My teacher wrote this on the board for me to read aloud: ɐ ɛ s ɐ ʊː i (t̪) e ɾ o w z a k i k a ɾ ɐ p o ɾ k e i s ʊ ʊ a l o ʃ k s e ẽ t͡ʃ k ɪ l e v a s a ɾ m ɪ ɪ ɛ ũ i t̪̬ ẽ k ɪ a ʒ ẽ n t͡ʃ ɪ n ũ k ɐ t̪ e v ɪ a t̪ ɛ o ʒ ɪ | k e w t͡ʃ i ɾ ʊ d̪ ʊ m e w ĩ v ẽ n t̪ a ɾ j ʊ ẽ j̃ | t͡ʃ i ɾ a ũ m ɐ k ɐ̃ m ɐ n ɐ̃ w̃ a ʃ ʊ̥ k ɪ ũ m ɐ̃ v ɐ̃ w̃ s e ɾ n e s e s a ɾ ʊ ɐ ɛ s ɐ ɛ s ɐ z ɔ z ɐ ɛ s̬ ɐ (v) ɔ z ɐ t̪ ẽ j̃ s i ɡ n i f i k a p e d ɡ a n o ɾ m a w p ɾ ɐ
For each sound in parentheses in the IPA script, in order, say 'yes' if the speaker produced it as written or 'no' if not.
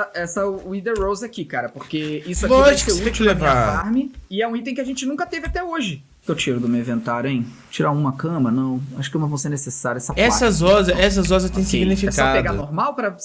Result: no, no

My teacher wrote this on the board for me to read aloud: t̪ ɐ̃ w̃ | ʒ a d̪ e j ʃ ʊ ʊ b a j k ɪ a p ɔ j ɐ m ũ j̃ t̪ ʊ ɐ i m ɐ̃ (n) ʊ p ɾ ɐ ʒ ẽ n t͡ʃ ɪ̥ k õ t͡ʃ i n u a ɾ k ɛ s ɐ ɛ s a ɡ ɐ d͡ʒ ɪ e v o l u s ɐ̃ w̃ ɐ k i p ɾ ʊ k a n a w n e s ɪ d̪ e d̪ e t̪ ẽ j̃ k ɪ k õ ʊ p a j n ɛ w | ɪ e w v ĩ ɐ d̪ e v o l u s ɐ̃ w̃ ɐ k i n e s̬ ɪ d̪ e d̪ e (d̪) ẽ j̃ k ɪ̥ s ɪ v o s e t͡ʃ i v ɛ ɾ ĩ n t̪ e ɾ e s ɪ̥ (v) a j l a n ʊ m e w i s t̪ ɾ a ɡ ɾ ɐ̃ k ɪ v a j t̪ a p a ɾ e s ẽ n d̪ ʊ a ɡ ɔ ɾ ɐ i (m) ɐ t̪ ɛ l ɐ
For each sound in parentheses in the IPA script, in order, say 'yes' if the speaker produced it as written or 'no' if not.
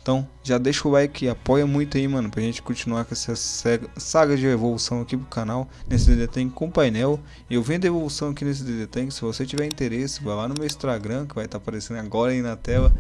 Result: yes, no, yes, no

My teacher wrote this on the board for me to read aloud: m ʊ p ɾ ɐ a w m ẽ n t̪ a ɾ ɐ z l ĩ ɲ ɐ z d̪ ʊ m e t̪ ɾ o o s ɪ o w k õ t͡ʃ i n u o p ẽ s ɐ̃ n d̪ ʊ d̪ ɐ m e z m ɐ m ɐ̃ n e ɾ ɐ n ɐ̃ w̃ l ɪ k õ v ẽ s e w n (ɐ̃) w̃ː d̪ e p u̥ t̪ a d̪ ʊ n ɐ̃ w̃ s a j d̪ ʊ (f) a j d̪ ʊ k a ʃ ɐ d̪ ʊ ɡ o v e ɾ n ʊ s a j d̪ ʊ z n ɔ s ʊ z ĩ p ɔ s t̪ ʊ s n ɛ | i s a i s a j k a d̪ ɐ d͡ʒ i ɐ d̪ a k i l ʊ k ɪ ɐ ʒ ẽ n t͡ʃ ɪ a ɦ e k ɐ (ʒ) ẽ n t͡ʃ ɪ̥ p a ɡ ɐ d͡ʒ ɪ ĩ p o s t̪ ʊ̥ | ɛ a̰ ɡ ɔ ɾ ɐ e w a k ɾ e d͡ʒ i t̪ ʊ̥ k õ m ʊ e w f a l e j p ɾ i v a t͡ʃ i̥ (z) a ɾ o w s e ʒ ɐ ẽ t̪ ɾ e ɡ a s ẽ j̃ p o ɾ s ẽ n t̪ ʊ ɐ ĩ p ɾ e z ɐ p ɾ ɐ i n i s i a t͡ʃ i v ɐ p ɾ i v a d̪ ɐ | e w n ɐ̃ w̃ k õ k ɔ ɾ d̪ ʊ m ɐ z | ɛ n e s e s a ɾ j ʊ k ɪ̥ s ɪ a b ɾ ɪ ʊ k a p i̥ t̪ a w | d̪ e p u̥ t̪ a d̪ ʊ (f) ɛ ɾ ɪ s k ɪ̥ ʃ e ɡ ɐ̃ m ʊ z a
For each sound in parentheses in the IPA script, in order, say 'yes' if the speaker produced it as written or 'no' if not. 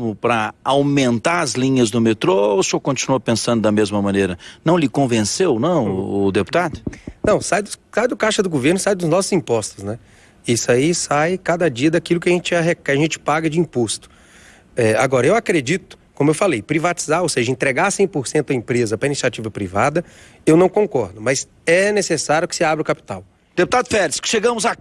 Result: yes, no, yes, yes, yes

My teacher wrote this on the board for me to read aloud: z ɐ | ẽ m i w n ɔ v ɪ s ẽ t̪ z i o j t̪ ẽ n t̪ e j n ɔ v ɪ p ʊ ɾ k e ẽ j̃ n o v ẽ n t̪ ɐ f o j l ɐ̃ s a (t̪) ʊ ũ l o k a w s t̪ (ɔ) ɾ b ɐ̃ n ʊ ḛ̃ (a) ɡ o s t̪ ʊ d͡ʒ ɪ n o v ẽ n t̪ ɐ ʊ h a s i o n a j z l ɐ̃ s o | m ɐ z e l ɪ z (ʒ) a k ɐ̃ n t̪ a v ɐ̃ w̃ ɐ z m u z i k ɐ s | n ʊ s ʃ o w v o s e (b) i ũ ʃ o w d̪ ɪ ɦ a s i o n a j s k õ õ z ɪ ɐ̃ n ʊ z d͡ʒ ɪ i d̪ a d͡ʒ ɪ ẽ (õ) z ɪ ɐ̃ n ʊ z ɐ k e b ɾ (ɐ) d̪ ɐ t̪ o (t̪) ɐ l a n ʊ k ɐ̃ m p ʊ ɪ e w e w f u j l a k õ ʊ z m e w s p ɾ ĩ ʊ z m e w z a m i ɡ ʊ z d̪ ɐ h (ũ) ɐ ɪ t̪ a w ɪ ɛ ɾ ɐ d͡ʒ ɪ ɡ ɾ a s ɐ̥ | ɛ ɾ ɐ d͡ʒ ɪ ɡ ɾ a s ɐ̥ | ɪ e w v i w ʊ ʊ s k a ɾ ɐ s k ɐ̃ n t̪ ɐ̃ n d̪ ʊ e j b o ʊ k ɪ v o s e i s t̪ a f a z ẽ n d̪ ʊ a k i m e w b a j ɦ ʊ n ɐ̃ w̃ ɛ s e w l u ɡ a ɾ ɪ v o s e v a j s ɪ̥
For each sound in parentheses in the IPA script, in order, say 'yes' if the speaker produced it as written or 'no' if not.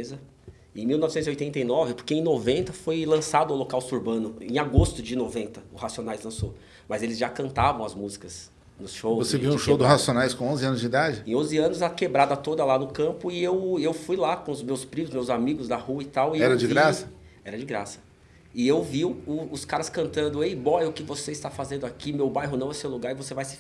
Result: no, no, yes, yes, no, yes, no, no, no

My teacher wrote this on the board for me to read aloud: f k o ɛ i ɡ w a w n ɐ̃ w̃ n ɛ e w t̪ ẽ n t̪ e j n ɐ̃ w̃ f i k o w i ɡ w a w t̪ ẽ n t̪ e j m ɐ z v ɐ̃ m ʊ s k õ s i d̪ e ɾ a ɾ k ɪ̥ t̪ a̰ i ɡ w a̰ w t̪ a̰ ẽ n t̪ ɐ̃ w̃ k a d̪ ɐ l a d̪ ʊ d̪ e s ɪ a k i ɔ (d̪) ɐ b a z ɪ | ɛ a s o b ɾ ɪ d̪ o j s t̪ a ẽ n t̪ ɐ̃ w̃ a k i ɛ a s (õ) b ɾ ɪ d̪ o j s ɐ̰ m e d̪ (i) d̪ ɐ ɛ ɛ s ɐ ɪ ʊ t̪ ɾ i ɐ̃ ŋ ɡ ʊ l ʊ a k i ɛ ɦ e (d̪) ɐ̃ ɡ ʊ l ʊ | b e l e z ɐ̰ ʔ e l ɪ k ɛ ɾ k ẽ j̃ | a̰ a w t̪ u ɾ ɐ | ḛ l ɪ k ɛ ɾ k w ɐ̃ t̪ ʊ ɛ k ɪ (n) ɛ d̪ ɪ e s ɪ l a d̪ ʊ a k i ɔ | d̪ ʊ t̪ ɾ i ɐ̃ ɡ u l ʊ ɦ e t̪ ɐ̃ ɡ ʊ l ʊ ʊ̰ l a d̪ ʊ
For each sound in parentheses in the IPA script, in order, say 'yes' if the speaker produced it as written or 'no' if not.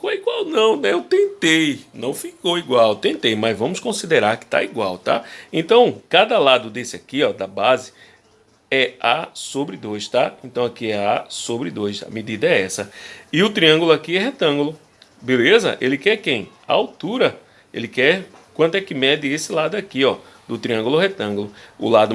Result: yes, no, yes, no, no

